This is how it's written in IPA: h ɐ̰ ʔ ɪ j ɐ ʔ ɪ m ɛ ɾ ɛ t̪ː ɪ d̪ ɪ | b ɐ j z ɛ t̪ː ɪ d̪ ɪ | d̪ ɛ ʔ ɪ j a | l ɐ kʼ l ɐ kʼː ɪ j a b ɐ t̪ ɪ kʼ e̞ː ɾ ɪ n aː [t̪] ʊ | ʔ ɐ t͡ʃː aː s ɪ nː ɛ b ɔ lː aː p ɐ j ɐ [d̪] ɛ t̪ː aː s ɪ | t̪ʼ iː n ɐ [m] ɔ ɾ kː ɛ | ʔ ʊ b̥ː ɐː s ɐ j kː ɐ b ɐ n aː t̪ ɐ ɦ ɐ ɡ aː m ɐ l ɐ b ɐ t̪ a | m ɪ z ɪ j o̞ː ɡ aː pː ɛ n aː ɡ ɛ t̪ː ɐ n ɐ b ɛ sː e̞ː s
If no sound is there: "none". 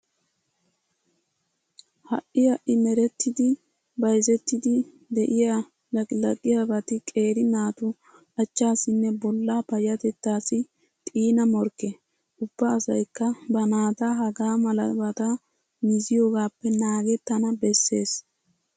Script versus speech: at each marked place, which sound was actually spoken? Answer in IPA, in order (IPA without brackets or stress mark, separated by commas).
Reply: t̪, t̪, m